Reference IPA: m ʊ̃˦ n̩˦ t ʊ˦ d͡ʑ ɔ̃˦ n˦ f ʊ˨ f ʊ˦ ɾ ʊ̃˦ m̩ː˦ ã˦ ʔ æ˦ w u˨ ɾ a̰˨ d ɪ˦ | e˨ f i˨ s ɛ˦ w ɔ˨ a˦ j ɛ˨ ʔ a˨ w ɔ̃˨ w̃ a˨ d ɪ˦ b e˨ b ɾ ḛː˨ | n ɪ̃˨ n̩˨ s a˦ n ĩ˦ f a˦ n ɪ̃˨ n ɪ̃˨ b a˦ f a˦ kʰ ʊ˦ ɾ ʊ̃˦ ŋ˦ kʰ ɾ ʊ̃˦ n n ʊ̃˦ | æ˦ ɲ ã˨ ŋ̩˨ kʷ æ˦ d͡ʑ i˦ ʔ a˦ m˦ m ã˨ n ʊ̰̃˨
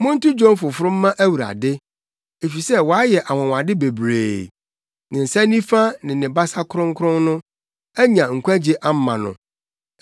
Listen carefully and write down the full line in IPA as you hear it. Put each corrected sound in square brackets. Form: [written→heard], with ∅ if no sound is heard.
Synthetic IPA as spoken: m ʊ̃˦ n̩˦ t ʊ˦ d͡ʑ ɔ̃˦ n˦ f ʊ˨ f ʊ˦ ɾ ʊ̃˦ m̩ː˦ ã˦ ʔ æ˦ w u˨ ɾ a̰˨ d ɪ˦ | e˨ f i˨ s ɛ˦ w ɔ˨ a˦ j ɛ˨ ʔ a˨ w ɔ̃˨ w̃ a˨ d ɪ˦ b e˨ b ɾ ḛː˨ | n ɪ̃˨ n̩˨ s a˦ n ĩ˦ f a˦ n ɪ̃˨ n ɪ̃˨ b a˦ [f→s] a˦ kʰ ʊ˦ ɾ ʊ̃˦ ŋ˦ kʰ ɾ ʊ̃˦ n n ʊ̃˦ | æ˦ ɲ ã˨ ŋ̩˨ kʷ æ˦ d͡ʑ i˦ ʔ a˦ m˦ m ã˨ n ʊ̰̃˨